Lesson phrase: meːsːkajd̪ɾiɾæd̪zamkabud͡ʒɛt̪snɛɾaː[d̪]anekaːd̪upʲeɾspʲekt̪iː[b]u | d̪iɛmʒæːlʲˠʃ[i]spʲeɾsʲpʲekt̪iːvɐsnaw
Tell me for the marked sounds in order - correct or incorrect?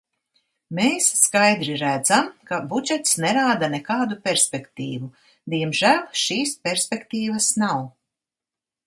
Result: correct, incorrect, incorrect

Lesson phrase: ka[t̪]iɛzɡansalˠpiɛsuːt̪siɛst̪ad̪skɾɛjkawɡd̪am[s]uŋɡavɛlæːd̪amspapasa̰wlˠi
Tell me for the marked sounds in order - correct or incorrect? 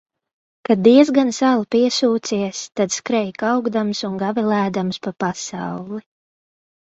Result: incorrect, correct

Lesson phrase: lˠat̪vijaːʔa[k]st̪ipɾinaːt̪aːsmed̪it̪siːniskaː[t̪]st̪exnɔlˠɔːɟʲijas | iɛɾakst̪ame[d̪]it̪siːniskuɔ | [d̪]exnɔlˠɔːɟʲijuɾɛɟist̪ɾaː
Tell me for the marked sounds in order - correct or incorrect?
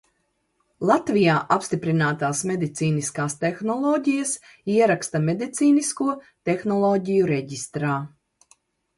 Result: incorrect, incorrect, correct, incorrect

